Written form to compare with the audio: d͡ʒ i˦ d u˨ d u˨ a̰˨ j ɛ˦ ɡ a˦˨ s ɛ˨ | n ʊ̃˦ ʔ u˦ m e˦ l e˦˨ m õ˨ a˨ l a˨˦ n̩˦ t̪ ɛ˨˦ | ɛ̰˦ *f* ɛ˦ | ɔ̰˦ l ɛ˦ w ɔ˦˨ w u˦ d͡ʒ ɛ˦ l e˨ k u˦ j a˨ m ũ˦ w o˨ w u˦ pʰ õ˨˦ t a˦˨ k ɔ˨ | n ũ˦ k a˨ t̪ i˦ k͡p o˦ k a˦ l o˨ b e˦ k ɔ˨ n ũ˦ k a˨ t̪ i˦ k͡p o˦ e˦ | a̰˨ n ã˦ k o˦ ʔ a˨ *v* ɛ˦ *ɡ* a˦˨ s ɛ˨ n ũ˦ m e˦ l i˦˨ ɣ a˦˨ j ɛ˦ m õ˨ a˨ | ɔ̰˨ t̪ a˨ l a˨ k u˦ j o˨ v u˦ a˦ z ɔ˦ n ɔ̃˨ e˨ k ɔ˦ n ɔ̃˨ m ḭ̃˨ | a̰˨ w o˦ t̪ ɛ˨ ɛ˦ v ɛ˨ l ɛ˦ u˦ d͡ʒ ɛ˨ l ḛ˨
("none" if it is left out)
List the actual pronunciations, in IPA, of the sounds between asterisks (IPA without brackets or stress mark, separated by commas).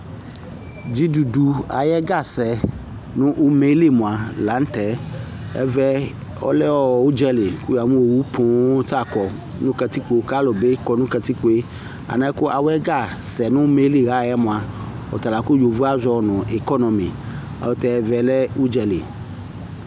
v, w, ɡ